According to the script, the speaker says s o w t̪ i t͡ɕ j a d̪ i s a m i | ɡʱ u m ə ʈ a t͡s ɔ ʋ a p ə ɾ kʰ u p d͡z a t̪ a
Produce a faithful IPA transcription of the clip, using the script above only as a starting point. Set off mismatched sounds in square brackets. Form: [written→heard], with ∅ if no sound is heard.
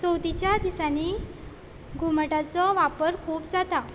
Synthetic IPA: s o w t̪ i t͡ɕ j a d̪ i s a [m→n] i | ɡʱ u m ə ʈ a t͡s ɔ ʋ a p ə ɾ kʰ [u→uː] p d͡z a t̪ a